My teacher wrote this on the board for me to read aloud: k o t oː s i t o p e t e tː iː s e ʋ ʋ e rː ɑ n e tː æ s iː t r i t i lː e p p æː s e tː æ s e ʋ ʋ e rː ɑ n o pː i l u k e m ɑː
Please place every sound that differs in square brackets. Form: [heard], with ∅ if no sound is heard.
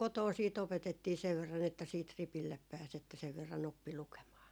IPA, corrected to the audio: k o t oː s [iː] t o p e t e tː iː s e ʋ ʋ e rː ɑ n e tː æ s iː t r i [p] i lː e p p æː s e tː æ s e ʋ ʋ e rː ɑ n o pː i l u k e m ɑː